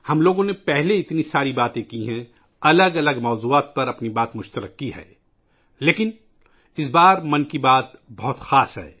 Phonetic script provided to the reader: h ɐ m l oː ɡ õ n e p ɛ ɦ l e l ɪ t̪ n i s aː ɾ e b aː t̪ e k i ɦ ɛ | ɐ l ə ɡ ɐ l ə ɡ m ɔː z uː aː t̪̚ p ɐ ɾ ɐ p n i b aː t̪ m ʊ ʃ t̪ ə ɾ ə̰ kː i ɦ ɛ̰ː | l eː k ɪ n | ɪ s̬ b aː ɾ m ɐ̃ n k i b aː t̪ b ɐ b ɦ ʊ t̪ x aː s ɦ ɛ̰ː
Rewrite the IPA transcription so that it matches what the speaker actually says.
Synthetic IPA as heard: h ɐ m l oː ɡ õ n e p ɛ ɦ l e ɪ t̪ n i s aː ɾ i b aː t̪ ẽ k i ɦ ɛ̃ | ɐ l ə ɡ ɐ l ə ɡ m ɔː z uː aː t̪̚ p ɐ ɾ ɐ p n i b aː t̪ m ʊ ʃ t̪ ə ɾ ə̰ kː i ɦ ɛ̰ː | l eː k ɪ n | ɪ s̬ b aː ɾ m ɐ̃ n k i b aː t̪ b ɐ ɦ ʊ t̪ x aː s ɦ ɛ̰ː